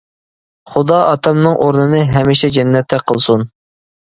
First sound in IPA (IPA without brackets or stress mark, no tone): χ